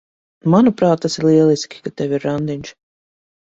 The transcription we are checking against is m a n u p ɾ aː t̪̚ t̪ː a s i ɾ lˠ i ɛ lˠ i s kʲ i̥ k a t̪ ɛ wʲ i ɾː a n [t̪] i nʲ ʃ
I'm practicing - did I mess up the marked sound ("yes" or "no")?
yes